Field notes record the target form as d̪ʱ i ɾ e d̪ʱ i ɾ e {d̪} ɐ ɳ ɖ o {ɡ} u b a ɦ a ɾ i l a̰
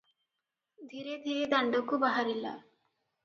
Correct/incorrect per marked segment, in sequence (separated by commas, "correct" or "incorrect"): correct, incorrect